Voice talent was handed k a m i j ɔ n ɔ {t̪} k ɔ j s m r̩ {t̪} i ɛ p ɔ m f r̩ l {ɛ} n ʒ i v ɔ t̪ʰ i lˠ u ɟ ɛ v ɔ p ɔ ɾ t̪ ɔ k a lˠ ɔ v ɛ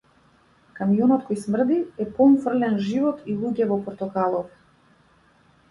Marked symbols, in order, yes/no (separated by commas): yes, no, yes